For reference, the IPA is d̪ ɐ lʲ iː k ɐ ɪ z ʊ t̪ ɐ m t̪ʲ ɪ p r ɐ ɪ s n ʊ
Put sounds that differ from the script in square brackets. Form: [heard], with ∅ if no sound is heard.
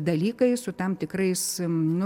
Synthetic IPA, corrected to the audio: d̪ ɐ lʲ iː k ɐ ɪ [s] ʊ t̪ ɐ m t̪ʲ ɪ [k] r ɐ ɪ s n ʊ